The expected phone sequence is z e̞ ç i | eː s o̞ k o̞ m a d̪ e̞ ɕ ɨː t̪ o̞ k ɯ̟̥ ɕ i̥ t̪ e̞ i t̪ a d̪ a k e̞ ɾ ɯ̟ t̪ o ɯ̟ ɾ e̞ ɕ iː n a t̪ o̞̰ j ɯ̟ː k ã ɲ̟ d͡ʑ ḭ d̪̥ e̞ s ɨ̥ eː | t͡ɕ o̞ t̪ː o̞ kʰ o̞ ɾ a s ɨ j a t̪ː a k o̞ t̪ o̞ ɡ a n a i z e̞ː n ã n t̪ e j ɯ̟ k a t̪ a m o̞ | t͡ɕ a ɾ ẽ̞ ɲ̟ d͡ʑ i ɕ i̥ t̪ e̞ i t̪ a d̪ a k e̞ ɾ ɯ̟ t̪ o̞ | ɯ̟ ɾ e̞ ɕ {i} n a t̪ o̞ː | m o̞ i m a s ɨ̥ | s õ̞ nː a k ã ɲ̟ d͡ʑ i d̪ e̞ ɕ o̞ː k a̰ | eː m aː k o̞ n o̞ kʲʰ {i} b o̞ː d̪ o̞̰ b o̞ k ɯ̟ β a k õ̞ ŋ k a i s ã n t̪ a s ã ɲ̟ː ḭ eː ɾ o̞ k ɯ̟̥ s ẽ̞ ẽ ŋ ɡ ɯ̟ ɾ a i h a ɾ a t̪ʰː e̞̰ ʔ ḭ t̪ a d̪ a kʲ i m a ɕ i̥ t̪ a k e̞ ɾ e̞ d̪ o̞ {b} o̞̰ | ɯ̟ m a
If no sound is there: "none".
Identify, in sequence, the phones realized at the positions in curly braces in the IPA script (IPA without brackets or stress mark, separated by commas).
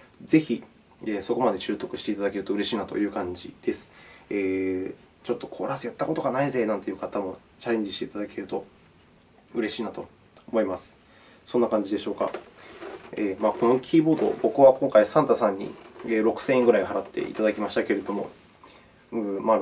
iː, iː, m